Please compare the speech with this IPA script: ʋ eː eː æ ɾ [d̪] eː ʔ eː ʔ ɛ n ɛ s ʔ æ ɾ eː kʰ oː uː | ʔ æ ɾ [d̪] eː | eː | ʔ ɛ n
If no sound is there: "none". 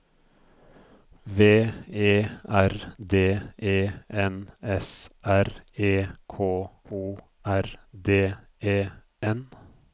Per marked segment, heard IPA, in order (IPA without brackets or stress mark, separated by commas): d̪, d̪